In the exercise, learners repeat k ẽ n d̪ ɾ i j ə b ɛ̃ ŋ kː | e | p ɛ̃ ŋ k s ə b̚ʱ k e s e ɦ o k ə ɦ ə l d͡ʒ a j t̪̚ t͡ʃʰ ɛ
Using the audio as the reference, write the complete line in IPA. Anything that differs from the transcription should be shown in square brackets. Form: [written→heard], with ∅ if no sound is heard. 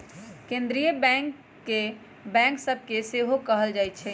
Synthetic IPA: k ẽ n d̪ ɾ i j ə b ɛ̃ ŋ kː | e | [p→b] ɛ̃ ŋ k s ə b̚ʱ k e s e ɦ o k ə ɦ ə l d͡ʒ a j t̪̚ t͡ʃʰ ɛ